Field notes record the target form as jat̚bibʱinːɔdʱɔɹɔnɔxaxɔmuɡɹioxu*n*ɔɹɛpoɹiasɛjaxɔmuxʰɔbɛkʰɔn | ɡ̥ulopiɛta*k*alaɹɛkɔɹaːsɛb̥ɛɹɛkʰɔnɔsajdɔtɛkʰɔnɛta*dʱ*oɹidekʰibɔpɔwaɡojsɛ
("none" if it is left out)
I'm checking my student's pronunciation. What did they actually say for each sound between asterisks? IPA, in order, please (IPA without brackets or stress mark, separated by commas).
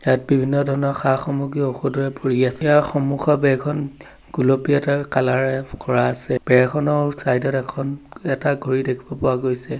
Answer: d, k, ɡʱ